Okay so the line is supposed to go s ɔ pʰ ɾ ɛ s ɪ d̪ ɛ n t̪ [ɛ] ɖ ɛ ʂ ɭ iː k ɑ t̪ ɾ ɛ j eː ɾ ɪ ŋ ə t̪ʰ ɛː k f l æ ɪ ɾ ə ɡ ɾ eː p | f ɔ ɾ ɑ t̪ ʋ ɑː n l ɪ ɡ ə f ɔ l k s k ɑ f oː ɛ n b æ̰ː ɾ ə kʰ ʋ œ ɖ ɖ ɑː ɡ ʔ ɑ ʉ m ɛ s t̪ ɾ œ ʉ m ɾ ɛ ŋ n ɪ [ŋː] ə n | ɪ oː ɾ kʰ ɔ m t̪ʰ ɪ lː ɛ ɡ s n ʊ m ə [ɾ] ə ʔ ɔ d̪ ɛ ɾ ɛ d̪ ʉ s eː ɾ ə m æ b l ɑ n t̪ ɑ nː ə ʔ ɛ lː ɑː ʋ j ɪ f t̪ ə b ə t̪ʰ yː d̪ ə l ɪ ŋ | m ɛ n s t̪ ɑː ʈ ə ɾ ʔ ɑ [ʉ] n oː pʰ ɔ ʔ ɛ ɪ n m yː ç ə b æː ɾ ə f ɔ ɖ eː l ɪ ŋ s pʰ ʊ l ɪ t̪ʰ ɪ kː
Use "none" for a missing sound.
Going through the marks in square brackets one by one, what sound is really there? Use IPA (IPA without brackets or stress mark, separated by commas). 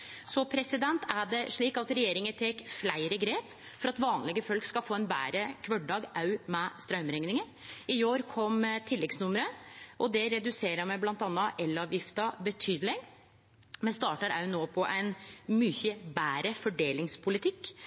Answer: æ, ŋ, ɾ, ʉ